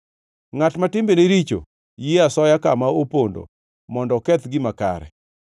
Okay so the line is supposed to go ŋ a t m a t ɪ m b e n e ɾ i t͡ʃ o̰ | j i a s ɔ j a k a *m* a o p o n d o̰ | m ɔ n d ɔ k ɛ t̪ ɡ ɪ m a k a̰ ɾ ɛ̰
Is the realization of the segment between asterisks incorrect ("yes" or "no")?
no